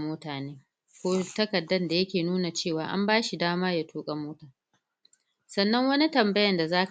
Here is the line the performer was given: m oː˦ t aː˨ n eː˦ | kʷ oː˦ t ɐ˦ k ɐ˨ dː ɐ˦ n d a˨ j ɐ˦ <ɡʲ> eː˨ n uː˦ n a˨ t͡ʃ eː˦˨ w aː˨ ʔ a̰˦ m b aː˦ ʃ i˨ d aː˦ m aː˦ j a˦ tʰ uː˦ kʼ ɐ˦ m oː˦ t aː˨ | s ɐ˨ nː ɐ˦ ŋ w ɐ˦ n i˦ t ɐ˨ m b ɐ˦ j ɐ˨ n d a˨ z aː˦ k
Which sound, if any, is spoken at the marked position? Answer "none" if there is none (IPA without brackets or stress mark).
kʲ